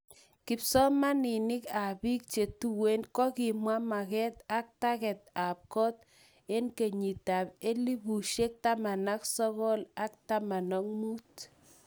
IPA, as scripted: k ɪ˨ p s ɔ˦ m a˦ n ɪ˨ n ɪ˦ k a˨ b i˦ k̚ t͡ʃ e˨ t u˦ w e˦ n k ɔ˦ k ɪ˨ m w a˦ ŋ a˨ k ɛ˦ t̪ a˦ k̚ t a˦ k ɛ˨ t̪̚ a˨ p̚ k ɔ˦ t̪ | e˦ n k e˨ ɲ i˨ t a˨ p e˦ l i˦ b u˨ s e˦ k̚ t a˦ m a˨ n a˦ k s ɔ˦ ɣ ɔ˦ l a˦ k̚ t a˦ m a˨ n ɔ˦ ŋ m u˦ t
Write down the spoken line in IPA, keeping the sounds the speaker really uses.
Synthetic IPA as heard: k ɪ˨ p s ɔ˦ m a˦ n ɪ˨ n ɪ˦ k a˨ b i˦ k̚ t͡ʃ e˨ t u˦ w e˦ n k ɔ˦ k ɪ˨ m w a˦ m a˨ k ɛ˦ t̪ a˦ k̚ t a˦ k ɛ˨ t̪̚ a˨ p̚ k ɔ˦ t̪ | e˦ n k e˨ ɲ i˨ t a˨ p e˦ l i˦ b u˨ ʃ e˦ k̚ t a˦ m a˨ n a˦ k s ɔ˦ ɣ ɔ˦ l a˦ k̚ t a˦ m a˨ n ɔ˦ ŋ m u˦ t